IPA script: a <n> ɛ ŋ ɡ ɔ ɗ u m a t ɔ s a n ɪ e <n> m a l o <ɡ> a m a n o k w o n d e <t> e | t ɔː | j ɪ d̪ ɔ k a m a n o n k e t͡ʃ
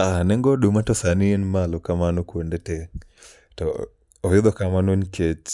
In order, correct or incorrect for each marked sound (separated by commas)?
correct, correct, incorrect, correct